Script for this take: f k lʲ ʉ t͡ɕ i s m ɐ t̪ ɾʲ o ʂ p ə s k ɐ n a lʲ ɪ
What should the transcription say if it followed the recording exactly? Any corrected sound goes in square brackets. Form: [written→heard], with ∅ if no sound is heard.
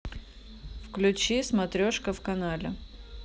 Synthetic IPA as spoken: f k lʲ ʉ t͡ɕ i s m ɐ t̪ ɾʲ o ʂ [p→k] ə [s→f] k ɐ n a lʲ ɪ